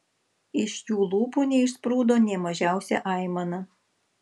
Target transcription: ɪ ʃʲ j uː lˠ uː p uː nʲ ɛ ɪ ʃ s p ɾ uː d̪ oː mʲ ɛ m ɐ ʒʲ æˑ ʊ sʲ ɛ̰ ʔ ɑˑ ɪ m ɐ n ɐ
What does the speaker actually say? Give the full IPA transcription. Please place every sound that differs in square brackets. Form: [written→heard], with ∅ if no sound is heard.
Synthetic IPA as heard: ɪ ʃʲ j uː lˠ uː p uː nʲ ɛ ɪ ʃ s p ɾ uː d̪ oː [mʲ→nʲ] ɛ m ɐ ʒʲ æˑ ʊ sʲ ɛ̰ ʔ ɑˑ ɪ m ɐ n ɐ